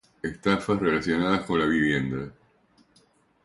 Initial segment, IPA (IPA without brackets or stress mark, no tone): e